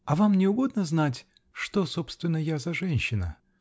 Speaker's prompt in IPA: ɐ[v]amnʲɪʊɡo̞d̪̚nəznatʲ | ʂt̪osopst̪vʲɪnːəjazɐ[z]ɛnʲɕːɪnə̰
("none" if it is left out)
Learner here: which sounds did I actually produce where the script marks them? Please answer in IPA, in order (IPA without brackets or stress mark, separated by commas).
v, ʐ